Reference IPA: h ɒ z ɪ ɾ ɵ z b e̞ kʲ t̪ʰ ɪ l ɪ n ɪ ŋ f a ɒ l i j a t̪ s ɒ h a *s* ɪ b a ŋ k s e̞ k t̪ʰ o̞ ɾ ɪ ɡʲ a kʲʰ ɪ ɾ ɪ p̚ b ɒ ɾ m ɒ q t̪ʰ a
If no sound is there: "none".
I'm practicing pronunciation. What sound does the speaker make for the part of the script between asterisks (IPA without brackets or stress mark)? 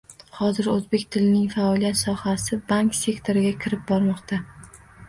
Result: s